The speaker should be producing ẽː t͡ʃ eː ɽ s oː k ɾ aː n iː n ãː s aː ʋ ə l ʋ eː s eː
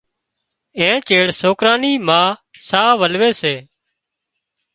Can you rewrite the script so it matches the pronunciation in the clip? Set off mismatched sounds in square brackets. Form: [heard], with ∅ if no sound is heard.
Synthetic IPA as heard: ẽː t͡ʃ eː ɽ s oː k ɾ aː n iː [m] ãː s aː ʋ ə l ʋ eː s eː